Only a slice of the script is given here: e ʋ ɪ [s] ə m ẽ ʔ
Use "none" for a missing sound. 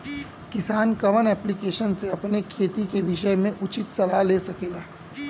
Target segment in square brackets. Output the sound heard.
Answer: ʃ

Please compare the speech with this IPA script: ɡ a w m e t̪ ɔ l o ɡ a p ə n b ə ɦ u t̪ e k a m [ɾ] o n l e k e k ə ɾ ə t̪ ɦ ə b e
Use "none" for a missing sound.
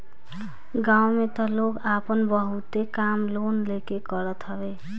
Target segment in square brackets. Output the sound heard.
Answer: l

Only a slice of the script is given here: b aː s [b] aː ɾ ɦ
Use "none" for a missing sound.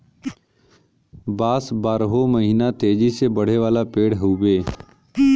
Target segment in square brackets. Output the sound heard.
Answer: b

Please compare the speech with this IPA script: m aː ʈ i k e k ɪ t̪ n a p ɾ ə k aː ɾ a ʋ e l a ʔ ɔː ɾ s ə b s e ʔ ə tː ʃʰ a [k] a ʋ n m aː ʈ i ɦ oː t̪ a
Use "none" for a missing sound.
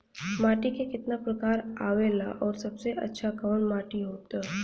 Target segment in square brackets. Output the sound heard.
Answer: k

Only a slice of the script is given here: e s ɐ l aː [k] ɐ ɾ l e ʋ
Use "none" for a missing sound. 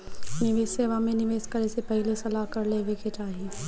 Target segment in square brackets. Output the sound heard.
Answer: k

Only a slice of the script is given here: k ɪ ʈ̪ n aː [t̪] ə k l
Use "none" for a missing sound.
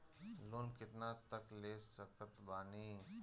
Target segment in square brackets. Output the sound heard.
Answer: t̪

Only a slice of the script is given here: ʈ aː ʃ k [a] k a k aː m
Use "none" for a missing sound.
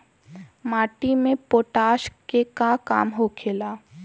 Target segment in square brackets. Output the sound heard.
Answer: e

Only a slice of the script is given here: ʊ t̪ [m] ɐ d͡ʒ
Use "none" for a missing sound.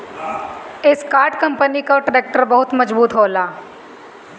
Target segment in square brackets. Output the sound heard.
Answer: m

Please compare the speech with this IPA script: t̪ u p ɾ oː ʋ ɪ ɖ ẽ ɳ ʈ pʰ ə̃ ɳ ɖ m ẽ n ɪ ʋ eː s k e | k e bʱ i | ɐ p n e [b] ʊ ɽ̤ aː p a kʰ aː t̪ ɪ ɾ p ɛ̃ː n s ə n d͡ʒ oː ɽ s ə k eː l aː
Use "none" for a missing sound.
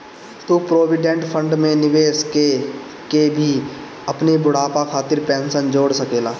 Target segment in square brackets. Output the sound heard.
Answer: b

